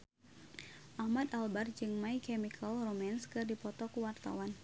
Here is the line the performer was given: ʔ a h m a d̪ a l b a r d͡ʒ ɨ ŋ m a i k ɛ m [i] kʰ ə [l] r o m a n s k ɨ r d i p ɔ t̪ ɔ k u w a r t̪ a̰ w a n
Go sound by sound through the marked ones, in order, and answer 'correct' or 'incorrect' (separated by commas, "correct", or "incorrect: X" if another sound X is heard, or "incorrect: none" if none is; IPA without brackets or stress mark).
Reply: correct, correct